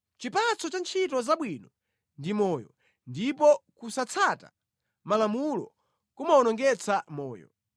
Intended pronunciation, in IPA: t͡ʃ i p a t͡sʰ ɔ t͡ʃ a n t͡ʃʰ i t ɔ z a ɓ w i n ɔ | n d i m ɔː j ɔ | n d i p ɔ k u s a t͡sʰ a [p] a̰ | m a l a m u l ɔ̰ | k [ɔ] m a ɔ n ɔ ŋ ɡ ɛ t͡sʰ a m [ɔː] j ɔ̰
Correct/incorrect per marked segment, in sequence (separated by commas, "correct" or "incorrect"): incorrect, incorrect, correct